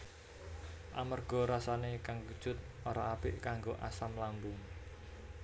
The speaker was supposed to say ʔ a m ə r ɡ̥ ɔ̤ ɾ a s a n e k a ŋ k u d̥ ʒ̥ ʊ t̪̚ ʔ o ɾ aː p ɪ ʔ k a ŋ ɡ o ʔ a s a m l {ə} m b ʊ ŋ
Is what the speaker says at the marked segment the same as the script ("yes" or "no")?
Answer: no